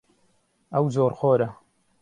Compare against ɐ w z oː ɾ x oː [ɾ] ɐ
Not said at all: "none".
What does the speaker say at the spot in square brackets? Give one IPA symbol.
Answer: ɾ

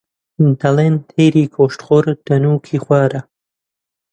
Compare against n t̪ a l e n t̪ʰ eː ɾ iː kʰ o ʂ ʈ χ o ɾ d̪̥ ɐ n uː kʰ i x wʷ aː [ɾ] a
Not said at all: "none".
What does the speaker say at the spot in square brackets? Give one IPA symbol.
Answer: ɾ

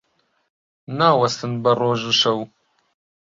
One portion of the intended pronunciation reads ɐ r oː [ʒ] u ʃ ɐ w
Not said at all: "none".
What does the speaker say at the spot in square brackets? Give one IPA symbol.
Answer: ʒ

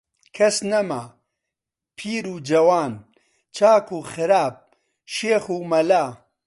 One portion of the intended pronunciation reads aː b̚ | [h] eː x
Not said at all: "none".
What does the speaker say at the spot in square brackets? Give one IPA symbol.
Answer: ʃ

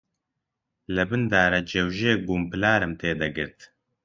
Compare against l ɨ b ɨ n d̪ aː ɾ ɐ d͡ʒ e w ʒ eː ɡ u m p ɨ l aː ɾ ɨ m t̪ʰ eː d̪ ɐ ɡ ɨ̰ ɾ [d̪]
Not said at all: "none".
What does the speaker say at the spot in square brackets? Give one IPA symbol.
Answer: t̪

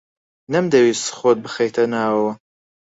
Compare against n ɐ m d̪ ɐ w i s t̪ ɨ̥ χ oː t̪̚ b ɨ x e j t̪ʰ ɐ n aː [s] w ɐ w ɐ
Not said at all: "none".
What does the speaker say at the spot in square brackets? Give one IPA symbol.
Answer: none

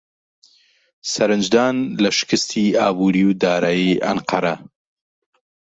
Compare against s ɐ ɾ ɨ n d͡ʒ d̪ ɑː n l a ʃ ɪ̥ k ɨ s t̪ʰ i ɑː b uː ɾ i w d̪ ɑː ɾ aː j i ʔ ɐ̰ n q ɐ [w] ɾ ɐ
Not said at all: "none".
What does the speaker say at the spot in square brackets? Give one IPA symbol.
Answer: none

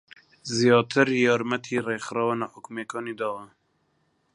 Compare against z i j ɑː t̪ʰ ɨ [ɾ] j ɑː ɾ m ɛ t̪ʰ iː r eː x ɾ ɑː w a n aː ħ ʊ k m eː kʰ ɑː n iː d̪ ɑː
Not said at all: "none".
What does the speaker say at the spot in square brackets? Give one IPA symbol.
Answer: ɾ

